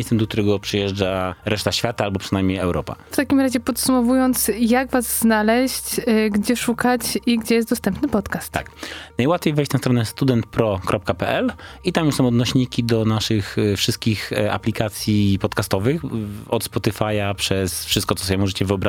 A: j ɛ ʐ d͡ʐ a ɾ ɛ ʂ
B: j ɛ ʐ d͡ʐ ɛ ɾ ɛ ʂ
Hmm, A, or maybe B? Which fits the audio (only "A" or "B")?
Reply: A